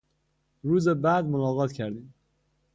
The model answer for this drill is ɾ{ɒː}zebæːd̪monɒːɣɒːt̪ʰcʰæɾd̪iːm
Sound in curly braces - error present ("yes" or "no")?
yes